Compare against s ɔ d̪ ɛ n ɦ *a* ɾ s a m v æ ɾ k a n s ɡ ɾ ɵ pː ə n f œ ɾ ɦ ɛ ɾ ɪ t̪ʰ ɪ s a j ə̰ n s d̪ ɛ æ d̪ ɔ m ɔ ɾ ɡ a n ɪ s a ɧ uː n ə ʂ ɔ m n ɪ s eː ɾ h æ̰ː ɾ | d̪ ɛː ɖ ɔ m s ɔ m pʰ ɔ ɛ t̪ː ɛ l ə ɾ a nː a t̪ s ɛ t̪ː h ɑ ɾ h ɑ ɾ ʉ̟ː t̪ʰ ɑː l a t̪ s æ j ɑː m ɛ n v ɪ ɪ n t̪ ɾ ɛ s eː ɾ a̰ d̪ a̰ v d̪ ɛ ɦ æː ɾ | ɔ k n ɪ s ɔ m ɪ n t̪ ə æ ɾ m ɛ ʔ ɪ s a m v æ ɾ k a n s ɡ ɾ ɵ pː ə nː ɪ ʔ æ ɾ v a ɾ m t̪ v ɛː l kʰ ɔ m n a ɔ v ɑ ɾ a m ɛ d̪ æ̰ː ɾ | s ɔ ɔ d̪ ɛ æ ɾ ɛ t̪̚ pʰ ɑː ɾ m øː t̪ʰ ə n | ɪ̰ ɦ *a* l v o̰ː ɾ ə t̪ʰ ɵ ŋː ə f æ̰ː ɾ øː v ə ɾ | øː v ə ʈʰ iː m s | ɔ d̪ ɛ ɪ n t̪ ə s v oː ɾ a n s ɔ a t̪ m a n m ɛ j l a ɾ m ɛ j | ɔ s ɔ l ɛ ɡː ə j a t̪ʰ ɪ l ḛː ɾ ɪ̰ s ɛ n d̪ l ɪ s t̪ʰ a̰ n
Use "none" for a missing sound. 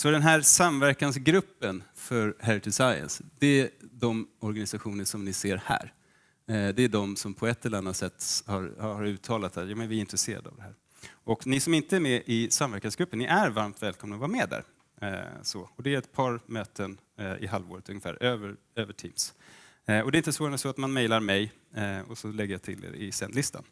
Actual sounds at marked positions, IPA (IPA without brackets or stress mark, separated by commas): æ, a